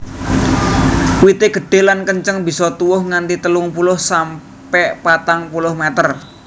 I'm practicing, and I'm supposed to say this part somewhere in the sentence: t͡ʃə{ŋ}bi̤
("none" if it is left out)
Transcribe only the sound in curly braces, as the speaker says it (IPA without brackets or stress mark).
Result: ŋ